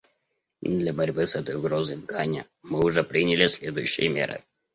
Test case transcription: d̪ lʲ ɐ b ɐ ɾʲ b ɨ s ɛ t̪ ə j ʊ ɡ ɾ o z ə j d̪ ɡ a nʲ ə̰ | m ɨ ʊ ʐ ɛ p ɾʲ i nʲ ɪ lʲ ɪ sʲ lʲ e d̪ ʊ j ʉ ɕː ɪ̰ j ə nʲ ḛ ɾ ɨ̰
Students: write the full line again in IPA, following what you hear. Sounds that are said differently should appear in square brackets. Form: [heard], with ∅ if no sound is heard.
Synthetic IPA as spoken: d̪ lʲ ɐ b ɐ ɾʲ b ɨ s ɛ t̪ ə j ʊ ɡ ɾ o z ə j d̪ ɡ a nʲ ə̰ | m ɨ ʊ ʐ ɛ p ɾʲ i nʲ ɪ lʲ ɪ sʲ lʲ e d̪ ʊ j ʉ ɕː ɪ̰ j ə [mʲ] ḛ ɾ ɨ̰